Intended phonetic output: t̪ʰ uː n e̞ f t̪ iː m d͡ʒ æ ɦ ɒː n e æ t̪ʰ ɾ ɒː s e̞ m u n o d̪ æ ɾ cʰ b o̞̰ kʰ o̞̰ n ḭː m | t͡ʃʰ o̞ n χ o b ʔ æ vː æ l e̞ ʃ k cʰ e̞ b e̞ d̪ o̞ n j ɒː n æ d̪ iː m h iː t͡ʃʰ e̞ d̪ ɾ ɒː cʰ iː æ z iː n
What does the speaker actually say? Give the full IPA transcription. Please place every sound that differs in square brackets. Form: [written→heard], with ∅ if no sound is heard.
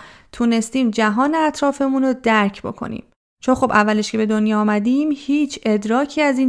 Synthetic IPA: t̪ʰ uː n e̞ [f→s] t̪ iː m d͡ʒ æ ɦ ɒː n e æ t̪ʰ ɾ ɒː [s→f] e̞ m u n o d̪ æ ɾ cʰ b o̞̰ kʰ o̞̰ n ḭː m | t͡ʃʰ o̞ n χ o b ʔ æ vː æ l e̞ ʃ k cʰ e̞ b e̞ d̪ o̞ n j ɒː [n→m] æ d̪ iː m h iː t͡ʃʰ e̞ d̪ ɾ ɒː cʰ iː æ z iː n